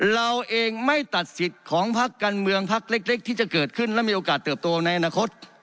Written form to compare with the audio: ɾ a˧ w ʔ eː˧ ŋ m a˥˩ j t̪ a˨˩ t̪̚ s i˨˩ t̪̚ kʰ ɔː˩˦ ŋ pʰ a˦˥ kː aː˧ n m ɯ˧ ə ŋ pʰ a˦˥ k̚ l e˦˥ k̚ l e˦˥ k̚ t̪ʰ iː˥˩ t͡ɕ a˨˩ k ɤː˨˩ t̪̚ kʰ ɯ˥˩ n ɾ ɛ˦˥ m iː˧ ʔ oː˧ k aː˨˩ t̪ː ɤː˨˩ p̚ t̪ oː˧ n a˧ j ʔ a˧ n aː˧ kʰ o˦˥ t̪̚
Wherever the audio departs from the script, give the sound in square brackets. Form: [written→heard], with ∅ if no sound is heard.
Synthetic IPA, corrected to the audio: ɾ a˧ w ʔ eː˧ ŋ m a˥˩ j t̪ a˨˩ t̪̚ s i˨˩ t̪̚ kʰ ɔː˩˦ ŋ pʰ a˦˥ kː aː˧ n m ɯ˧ ə ŋ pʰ a˦˥ k̚ l e˦˥ k̚ l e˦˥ k̚ t̪ʰ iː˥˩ t͡ɕ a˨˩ k ɤː˨˩ t̪̚ kʰ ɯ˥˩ n [ɾ→l] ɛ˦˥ m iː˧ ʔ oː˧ k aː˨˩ t̪ː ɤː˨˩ p̚ t̪ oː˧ n a˧ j ʔ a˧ n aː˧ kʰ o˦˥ t̪̚